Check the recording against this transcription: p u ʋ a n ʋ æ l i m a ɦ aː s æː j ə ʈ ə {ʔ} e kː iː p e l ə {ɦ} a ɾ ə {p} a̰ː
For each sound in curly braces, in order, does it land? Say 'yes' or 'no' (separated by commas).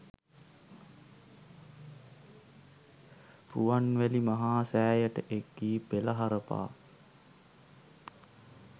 yes, yes, yes